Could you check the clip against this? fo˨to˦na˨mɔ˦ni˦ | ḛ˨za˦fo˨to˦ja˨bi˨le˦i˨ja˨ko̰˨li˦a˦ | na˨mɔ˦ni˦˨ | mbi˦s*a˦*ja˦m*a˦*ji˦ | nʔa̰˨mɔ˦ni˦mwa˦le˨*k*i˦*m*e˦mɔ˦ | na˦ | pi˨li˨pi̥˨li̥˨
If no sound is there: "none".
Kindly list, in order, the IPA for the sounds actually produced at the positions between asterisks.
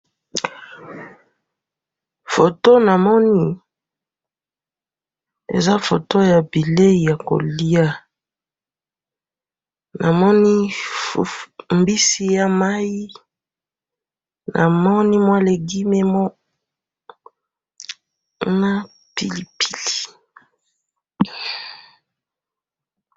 i˦, a˦, ɡ, m

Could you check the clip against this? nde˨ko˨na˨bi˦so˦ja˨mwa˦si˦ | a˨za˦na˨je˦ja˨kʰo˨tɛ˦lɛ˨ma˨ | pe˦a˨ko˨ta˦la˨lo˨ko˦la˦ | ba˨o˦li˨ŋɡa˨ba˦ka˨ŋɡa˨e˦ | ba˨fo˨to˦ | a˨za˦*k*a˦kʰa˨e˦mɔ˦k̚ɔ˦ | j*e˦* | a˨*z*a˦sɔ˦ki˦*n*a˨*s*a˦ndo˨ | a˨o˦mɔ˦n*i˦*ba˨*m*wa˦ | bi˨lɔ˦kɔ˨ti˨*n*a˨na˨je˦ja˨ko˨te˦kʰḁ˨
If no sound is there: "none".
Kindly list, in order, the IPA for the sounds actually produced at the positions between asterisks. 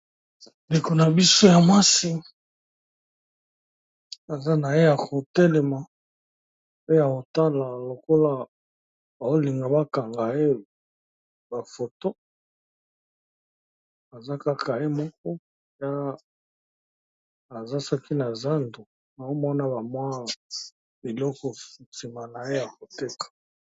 k, a˦, z, n, z, a˦, m, m

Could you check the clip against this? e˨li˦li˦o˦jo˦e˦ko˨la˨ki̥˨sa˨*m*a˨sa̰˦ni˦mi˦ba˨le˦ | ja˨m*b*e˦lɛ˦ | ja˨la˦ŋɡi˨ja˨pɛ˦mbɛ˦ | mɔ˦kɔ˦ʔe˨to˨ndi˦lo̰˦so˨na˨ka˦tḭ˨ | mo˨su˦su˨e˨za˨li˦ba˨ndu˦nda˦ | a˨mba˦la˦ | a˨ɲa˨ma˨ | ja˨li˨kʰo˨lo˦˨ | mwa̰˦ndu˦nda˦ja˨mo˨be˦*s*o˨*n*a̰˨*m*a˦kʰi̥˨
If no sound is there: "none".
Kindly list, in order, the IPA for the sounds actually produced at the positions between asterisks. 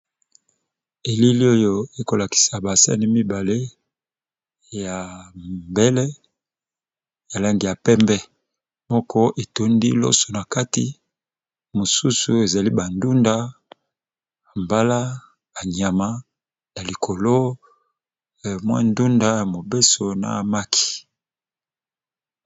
b, b, s, n, m

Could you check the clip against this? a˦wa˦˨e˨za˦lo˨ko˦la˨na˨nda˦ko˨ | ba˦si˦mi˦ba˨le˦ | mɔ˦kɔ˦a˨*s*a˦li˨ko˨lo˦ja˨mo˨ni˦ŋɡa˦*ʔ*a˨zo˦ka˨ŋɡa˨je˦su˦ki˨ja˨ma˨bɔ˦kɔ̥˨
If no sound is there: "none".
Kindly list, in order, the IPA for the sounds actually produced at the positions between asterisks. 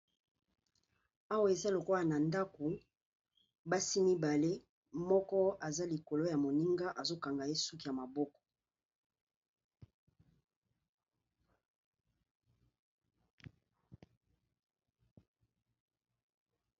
z, ʔ

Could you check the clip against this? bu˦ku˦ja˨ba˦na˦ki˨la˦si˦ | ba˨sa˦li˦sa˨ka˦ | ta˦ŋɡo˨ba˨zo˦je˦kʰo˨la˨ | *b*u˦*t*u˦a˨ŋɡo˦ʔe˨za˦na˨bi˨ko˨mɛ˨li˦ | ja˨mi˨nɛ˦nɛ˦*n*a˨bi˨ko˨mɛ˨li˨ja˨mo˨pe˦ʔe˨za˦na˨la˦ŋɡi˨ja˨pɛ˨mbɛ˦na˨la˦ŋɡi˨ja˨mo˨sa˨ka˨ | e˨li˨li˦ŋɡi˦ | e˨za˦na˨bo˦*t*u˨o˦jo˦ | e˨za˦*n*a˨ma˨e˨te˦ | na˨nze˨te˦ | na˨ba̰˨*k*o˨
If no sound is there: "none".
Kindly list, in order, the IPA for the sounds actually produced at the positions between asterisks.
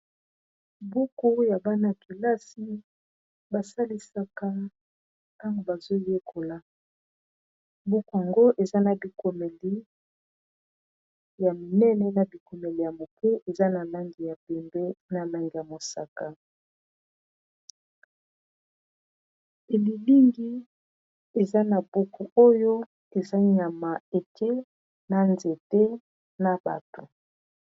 b, k, n, k, ɲ, t

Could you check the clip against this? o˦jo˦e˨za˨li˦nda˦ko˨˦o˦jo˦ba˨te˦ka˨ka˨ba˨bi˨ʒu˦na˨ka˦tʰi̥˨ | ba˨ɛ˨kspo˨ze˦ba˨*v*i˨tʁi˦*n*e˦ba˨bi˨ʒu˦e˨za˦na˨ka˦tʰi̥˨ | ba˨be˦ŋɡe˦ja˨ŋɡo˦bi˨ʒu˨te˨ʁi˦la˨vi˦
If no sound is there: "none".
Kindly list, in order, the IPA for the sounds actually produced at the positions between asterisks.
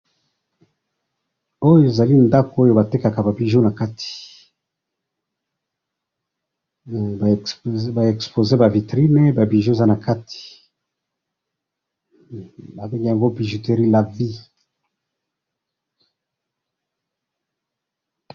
v, n

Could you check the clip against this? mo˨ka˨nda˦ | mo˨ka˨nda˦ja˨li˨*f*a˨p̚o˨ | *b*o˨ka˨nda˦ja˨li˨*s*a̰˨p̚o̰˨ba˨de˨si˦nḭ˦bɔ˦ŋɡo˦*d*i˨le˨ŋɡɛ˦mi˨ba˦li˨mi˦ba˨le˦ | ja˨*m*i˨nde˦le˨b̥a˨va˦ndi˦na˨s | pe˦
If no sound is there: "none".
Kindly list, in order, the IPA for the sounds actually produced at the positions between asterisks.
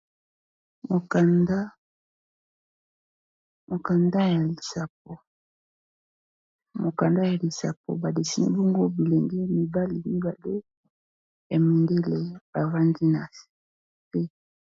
s, m, s, b, m

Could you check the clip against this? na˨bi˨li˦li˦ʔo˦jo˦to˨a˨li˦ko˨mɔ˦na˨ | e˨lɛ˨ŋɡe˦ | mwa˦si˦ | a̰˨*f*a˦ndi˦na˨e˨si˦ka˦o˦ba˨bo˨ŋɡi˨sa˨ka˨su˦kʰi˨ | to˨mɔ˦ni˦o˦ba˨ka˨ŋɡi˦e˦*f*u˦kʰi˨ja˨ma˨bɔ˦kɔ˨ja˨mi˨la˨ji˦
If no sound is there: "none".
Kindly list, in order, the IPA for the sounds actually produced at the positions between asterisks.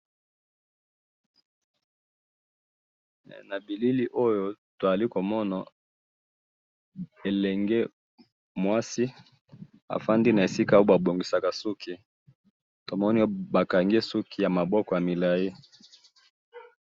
f, s

